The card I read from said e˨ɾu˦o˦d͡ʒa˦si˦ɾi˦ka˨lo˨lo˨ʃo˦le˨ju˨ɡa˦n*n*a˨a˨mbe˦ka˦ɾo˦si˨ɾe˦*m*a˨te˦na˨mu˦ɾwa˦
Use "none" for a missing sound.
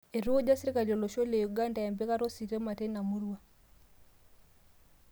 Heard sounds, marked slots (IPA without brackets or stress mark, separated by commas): d, m